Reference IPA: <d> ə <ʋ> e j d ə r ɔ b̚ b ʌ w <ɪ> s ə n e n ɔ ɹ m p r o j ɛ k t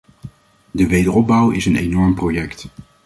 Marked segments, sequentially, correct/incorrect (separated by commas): correct, correct, correct